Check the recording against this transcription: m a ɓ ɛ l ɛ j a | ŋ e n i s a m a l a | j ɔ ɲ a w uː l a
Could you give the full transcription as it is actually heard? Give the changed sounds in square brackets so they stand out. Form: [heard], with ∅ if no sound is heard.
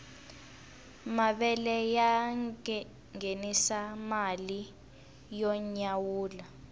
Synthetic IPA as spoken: m a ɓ ɛ l ɛ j a | ŋ e n i s a m a l [i] | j ɔ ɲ a w uː l a